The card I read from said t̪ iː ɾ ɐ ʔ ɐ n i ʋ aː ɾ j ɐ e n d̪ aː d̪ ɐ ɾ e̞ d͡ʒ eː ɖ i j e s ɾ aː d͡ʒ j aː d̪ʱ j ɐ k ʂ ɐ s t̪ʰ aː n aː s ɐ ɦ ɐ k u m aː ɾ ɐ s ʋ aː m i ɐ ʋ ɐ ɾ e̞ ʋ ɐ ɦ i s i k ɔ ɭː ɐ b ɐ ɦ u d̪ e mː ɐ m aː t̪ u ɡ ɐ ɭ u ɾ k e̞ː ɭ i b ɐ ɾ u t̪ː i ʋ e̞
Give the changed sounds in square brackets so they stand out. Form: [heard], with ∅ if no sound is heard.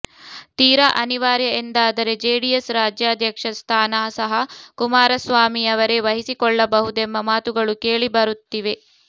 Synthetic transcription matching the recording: t̪ iː ɾ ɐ ʔ ɐ n i ʋ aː ɾ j ɐ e n d̪ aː d̪ ɐ ɾ e̞ d͡ʒ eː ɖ i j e s ɾ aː d͡ʒ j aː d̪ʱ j ɐ k ʂ ɐ s t̪ʰ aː n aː s ɐ ɦ ɐ k u m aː ɾ ɐ s ʋ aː m i ɐ ʋ ɐ ɾ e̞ ʋ ɐ ɦ i s i k ɔ ɭː ɐ b ɐ ɦ u d̪ e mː ɐ m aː t̪ u ɡ ɐ ɭ u [∅] k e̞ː ɭ i b ɐ ɾ u t̪ː i ʋ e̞